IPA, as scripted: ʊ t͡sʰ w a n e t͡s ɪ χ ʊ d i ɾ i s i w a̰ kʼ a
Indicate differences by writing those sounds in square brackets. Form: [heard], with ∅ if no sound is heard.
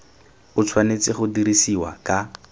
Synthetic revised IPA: ʊ t͡sʰ w a n e t͡s ɪ χ ʊ d i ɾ i s i w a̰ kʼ a